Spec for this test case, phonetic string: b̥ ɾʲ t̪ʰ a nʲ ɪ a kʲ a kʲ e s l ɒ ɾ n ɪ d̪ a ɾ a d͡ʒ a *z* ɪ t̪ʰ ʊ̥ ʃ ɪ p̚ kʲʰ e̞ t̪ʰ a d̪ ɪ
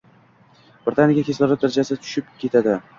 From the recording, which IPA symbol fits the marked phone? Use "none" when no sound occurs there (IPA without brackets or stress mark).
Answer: s